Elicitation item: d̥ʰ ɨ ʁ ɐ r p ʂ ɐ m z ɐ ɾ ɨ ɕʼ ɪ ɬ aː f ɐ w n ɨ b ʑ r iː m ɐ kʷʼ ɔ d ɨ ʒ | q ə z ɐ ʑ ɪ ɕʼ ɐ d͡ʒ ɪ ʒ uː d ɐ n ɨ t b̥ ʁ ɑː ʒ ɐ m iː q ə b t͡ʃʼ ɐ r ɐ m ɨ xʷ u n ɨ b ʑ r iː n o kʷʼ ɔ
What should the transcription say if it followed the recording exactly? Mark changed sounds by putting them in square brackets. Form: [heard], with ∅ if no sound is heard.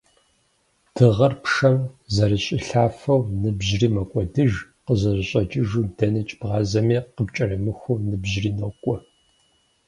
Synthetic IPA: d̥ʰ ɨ ʁ ɐ r p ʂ ɐ m z ɐ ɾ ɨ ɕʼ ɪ ɬ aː f ɐ w n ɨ b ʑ r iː m ɐ kʷʼ ɔ d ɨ ʒ | q ə z ɐ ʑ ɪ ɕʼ ɐ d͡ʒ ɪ ʒ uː d ɐ n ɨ [t͡ʃʼ] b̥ ʁ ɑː [z] ɐ m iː q ə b t͡ʃʼ ɐ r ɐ m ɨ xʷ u n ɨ b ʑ r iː n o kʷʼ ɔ